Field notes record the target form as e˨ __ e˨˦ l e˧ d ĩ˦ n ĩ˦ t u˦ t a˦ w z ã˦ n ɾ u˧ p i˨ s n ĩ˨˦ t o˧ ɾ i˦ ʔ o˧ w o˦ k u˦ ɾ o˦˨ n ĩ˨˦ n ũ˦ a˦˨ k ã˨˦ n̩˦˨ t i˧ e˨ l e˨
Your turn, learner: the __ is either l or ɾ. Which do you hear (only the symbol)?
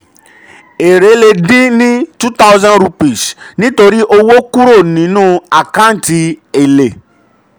ɾ